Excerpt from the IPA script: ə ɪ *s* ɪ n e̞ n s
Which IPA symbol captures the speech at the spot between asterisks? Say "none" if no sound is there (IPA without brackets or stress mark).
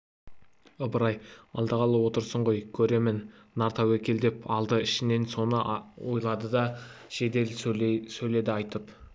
ʃ